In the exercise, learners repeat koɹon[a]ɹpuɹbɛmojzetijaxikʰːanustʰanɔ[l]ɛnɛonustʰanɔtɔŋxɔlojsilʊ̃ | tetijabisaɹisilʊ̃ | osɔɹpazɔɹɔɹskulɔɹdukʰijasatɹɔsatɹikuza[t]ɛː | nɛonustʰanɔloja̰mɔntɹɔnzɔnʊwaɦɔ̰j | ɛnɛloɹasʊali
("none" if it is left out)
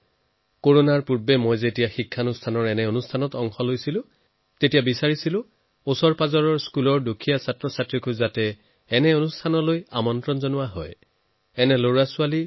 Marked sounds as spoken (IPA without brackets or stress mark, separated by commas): a, ɹ, t